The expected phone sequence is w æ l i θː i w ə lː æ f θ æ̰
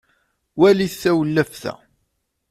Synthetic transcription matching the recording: w æ l i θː æ w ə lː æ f θ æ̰